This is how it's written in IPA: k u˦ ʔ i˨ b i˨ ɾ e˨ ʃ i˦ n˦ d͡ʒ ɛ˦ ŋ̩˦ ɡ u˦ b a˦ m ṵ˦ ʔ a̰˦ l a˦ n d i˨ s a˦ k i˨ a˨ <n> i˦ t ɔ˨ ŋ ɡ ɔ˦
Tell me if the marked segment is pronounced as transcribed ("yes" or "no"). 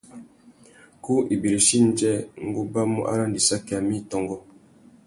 no